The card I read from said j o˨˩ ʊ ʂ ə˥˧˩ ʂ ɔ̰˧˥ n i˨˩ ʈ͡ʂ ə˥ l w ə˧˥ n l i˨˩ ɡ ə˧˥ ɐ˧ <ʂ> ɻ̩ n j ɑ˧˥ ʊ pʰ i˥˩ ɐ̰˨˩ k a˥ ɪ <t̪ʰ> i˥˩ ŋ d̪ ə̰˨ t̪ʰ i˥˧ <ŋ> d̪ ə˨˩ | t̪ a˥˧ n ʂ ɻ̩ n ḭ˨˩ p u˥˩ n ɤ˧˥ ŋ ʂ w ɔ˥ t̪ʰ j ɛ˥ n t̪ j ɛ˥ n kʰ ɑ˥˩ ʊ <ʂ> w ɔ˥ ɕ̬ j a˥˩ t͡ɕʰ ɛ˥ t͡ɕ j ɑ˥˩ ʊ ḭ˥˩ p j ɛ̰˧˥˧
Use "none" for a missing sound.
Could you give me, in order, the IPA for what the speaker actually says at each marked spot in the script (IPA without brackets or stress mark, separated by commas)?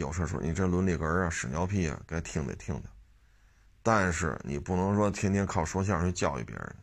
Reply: ʂ, t̪ʰ, ŋ, ʂ